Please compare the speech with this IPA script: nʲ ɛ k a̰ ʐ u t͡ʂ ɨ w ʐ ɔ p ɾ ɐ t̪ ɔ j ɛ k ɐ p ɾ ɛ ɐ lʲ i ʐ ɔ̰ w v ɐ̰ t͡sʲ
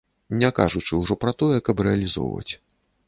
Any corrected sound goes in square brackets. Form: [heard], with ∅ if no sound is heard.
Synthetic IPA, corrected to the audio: nʲ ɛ k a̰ ʐ u t͡ʂ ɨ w ʐ ɔ p ɾ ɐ t̪ ɔ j ɛ k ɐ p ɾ ɛ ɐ lʲ i [z] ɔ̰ w v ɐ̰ t͡sʲ

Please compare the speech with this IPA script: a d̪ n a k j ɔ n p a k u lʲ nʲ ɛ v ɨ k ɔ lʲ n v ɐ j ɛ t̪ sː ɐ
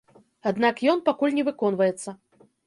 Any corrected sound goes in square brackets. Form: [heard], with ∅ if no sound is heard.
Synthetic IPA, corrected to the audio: a d̪ n a k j ɔ n p a k u lʲ nʲ ɛ v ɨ k ɔ [∅] n v ɐ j ɛ t̪ sː ɐ

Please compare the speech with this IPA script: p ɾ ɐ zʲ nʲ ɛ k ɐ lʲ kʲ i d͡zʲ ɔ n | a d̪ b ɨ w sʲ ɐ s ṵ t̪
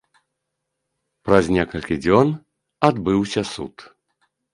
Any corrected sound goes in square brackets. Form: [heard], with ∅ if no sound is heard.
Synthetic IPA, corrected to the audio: p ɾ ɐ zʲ nʲ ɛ k ɐ lʲ kʲ i d͡zʲ ɔ n | a d̪ b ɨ w sʲ ɐ s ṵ t̪

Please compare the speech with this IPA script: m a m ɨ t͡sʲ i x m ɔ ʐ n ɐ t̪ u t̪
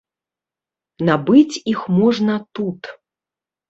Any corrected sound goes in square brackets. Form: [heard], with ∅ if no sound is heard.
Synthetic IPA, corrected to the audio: [n] a [b] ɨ t͡sʲ i x m ɔ ʐ n ɐ t̪ u t̪

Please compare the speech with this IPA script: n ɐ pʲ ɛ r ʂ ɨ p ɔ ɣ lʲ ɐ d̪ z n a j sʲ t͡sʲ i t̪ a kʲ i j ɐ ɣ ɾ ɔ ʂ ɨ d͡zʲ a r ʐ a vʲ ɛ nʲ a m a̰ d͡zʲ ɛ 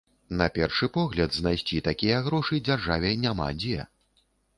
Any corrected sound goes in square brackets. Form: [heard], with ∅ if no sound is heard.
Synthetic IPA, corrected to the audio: n ɐ pʲ ɛ r ʂ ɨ p ɔ ɣ lʲ ɐ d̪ z n a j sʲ t͡sʲ i t̪ a kʲ i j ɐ ɣ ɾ ɔ ʂ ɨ d͡zʲ a r ʐ a vʲ ɛ nʲ a m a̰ d͡zʲ ɛ

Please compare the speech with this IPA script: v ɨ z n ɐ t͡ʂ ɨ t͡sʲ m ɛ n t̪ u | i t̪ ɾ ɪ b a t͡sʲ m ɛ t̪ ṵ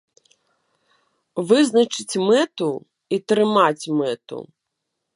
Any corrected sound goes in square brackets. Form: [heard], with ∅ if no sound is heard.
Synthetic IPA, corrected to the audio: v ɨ z n ɐ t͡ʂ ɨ t͡sʲ m ɛ [∅] t̪ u | i t̪ ɾ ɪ [m] a t͡sʲ m ɛ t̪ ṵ

